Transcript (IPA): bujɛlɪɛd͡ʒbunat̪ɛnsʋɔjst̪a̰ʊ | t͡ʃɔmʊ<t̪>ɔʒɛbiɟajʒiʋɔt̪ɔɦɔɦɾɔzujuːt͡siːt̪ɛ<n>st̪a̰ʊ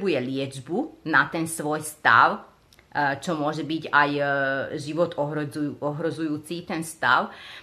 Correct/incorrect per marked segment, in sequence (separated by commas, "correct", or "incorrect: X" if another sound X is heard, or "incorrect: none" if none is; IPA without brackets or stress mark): incorrect: none, correct